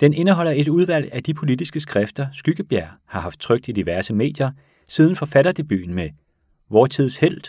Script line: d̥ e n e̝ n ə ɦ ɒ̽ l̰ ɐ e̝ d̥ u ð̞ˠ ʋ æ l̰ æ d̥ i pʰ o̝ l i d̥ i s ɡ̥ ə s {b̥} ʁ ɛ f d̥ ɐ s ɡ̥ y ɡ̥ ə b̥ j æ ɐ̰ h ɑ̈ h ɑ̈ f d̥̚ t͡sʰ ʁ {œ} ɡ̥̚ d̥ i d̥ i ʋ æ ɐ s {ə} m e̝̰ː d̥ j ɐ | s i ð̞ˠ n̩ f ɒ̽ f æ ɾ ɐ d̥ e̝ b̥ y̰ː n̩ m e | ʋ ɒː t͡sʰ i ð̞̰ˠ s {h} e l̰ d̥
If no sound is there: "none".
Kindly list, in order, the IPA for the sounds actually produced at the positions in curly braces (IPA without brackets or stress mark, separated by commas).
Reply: ɡ̥, œ, ə, h